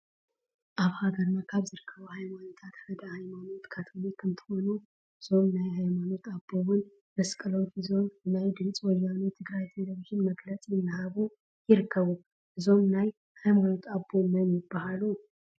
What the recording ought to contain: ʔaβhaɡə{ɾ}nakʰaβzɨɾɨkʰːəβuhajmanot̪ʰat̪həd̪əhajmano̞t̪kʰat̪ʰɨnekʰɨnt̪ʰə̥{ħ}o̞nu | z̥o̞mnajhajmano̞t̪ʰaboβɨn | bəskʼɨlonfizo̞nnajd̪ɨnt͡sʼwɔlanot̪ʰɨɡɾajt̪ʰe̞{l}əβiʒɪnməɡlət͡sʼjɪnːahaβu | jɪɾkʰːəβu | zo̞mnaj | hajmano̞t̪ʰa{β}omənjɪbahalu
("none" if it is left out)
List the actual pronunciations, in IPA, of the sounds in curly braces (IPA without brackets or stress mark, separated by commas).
ɾ, h, l, b